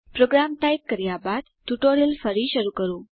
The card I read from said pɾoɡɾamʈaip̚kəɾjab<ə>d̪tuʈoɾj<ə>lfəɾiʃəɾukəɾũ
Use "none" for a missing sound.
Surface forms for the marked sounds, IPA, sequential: a, ə

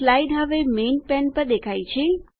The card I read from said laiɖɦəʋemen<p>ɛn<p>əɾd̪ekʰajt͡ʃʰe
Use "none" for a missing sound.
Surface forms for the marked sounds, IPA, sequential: p, p

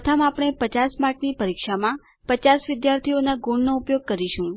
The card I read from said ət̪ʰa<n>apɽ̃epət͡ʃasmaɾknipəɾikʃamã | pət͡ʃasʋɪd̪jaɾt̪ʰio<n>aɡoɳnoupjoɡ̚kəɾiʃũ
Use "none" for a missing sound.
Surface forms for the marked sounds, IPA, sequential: m, n

